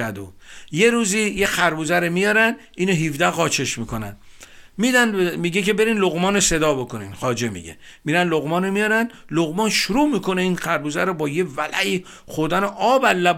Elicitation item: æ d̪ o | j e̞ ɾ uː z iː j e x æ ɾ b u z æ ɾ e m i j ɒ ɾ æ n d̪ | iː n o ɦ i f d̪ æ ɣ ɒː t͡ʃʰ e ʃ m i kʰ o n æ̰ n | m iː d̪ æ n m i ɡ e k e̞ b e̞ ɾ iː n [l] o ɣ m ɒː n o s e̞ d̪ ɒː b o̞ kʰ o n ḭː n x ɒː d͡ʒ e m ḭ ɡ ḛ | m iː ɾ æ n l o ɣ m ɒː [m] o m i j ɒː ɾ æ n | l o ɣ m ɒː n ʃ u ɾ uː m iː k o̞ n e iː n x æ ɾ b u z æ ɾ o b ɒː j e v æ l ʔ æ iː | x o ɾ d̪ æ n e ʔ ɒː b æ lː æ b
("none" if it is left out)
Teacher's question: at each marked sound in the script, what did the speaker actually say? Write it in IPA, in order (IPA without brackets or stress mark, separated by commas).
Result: l, n